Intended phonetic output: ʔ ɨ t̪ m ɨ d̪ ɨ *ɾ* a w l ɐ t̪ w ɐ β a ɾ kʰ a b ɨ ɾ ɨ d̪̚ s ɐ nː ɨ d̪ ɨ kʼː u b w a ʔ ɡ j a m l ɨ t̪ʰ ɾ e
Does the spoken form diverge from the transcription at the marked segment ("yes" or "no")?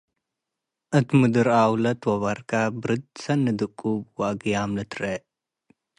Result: no